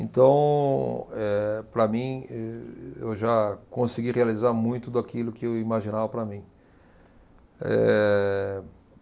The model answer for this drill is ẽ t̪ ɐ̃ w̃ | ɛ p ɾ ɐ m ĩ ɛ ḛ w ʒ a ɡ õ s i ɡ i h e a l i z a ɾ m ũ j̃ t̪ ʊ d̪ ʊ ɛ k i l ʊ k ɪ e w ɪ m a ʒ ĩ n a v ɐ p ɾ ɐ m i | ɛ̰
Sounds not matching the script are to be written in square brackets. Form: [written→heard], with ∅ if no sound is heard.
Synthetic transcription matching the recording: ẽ t̪ ɐ̃ w̃ | ɛ p ɾ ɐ m ĩ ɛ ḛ w ʒ a [ɡ→k] õ s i ɡ i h e a l i z a ɾ m ũ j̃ t̪ ʊ d̪ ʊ [ɛ→a] k i l ʊ k ɪ e w [ɪ→i] m a ʒ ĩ n a v ɐ p ɾ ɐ m [i→ĩ] | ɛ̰